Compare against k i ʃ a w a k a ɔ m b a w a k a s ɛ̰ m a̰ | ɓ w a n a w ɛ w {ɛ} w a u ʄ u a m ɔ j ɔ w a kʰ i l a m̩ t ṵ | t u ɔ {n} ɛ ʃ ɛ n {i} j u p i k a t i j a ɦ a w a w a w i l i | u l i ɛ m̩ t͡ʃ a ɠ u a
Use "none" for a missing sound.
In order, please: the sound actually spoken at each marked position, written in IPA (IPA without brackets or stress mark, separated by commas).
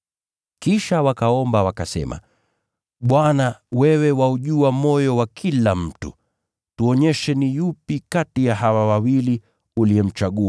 ɛ, ɲ, i